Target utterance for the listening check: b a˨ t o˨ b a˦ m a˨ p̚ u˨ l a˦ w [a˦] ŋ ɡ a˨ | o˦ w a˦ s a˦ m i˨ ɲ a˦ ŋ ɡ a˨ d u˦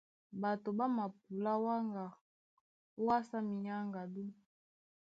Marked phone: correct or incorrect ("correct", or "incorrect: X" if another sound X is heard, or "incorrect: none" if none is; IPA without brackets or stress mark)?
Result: correct